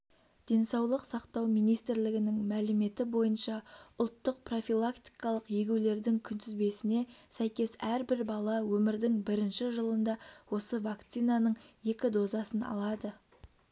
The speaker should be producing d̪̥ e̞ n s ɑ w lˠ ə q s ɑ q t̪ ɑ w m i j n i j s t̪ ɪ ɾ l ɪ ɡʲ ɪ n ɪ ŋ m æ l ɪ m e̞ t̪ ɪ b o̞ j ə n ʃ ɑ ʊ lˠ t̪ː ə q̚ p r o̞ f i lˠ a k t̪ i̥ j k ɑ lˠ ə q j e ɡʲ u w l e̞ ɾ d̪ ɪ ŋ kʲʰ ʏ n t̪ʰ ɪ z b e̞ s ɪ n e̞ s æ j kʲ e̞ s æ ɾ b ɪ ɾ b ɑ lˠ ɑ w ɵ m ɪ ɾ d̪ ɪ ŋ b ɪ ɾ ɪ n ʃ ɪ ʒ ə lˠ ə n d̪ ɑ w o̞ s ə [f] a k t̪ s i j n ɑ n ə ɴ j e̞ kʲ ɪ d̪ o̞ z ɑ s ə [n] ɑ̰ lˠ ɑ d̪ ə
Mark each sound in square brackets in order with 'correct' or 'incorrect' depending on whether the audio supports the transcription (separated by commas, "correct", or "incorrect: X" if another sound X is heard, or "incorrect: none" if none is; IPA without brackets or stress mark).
incorrect: v, correct